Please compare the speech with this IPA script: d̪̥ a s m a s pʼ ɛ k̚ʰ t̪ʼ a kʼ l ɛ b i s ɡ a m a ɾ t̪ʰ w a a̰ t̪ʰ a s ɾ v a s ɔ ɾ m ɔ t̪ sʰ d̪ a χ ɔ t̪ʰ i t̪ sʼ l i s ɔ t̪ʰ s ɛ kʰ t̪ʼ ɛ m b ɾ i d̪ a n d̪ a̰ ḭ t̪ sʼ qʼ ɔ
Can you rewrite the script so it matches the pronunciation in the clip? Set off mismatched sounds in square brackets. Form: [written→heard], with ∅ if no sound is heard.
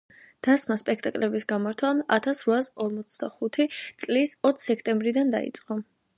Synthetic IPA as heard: d̪̥ a s m a s pʼ ɛ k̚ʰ t̪ʼ a kʼ l ɛ b i s ɡ a m a ɾ t̪ʰ w a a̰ t̪ʰ a s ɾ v a s ɔ ɾ m ɔ t̪ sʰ d̪ a χ [ɔ→u] t̪ʰ i t̪ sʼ l i s ɔ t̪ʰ s ɛ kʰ t̪ʼ ɛ m b ɾ i d̪ a n d̪ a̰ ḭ t̪ sʼ qʼ ɔ